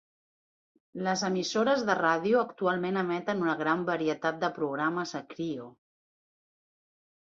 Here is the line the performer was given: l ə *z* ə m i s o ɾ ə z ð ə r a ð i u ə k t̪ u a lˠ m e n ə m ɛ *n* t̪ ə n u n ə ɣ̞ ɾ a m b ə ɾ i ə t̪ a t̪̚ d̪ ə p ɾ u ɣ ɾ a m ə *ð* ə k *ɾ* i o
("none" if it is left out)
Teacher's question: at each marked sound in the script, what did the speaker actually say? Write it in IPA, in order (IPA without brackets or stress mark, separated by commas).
z, none, z, ɾ